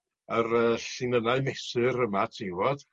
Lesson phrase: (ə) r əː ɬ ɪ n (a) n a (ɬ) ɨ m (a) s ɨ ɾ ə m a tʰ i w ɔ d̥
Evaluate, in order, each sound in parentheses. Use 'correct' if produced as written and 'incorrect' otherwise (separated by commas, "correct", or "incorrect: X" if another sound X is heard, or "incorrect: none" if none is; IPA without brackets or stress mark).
correct, incorrect: ə, incorrect: none, incorrect: ɛ